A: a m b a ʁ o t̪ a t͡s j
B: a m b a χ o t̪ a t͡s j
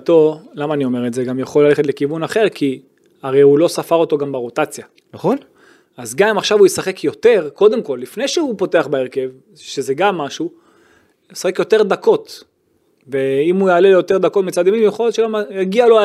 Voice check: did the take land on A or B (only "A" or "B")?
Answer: A